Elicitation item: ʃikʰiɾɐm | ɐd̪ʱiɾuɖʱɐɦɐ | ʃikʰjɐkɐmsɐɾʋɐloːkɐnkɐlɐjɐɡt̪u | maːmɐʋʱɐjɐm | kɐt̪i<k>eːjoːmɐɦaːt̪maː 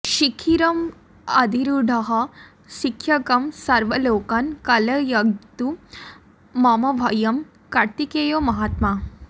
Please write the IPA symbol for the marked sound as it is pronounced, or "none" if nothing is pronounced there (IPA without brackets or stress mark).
k